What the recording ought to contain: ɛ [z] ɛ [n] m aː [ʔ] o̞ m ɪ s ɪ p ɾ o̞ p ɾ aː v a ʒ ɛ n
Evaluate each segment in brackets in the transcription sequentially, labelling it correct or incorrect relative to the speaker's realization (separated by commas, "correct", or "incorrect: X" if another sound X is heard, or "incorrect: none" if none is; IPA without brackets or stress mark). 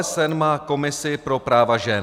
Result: incorrect: s, correct, incorrect: k